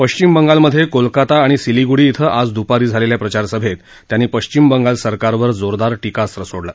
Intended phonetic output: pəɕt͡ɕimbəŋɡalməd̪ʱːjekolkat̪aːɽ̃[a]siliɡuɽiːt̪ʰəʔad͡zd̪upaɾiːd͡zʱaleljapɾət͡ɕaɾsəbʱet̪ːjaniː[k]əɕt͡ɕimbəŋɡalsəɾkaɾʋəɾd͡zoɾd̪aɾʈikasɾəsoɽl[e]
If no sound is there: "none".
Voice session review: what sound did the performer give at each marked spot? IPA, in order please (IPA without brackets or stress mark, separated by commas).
i, p, a